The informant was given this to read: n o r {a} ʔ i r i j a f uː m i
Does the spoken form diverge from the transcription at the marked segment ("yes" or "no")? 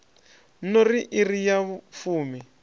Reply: yes